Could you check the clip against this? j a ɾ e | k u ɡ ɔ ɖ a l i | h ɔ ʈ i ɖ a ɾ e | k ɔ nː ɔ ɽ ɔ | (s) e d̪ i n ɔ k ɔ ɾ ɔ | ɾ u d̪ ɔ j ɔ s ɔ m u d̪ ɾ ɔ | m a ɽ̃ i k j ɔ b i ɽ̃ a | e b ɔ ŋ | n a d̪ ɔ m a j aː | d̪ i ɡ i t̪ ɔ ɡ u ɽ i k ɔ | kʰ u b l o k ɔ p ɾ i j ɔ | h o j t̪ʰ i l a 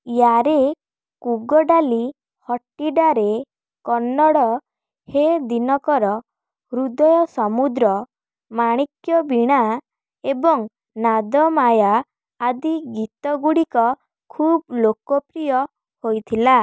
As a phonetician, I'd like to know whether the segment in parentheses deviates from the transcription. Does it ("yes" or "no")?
yes